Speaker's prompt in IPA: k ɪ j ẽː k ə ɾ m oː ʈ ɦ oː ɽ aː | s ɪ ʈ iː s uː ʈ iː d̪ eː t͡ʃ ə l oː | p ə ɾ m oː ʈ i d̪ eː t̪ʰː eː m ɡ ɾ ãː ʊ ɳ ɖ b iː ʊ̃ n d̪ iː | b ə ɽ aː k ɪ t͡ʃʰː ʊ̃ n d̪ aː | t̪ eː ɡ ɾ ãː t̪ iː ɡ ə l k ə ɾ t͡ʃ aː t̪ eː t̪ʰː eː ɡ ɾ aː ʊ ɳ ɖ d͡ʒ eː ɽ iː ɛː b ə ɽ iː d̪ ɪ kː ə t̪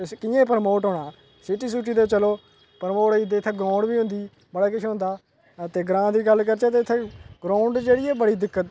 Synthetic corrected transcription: k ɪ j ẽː p ə ɾ m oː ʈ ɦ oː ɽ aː | s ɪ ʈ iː s uː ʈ iː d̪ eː t͡ʃ ə l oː | p ə ɾ m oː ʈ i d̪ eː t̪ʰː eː ɡ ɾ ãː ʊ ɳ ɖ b iː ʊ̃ n d̪ iː | b ə ɽ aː k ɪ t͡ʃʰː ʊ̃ n d̪ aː | t̪ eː ɡ ɾ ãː d̪ iː ɡ ə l k ə ɾ t͡ʃ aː t̪ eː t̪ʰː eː ɡ ɾ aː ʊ ɳ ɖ d͡ʒ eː ɽ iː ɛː b ə ɽ iː d̪ ɪ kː ə t̪